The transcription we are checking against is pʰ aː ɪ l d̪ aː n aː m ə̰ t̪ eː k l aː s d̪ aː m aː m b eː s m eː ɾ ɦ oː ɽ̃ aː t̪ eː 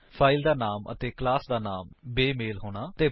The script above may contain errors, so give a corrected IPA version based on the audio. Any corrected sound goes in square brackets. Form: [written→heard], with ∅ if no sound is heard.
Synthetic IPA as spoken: pʰ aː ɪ l d̪ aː n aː m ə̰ t̪ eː k l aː s d̪ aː [m→n] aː m b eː [s→∅] m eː [ɾ→l] ɦ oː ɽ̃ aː t̪ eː

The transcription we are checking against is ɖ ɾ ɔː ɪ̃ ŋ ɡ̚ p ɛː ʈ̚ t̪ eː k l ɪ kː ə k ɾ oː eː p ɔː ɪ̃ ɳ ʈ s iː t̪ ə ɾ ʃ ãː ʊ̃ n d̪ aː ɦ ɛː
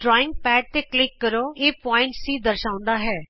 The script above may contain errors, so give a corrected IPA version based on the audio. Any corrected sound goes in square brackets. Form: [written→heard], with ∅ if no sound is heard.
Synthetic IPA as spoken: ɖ ɾ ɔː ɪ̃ ŋ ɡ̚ p ɛː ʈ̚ t̪ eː k l ɪ kː ə [k→∅] ɾ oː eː p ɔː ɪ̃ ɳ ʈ s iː [t̪→d̪] ə ɾ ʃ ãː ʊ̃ n d̪ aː ɦ ɛː

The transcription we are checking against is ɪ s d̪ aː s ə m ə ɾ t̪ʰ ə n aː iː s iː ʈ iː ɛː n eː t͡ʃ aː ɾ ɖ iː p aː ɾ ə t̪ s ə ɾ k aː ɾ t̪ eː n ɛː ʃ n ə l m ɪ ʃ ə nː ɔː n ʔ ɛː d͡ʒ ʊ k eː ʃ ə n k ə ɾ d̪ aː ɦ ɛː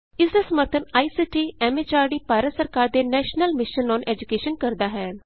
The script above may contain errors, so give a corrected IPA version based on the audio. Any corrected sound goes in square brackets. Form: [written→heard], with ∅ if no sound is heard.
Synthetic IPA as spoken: ɪ s d̪ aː s ə m ə ɾ t̪ʰ ə n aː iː s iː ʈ iː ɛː [n→m] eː t͡ʃ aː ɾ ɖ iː p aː ɾ ə t̪ s ə ɾ k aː ɾ [t̪→d̪] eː n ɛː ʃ n ə l m ɪ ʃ ə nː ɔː n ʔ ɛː d͡ʒ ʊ k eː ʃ ə n k ə ɾ d̪ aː ɦ ɛː

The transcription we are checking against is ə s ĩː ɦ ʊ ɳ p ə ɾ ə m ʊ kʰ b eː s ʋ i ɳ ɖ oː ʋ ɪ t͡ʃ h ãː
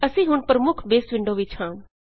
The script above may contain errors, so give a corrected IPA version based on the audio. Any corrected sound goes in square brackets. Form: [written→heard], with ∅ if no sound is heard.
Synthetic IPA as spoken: ə s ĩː ɦ ʊ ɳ p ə ɾ ə m ʊ kʰ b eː s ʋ [i→ɪ] ɳ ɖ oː ʋ ɪ t͡ʃ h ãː

